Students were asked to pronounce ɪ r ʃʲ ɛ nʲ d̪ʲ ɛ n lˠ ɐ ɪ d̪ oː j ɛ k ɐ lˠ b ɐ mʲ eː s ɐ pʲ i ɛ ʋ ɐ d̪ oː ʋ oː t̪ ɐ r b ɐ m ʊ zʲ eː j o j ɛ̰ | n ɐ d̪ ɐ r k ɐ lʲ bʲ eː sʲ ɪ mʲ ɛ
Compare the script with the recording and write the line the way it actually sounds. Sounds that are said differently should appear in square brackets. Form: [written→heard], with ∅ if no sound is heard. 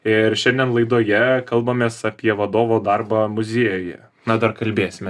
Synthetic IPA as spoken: ɪ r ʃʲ ɛ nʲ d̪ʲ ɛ n lˠ ɐ ɪ d̪ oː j ɛ k ɐ lˠ b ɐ mʲ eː s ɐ pʲ i ɛ ʋ ɐ d̪ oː ʋ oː [t̪→d̪] ɐ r b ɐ m ʊ zʲ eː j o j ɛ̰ | n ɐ d̪ ɐ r k ɐ lʲ bʲ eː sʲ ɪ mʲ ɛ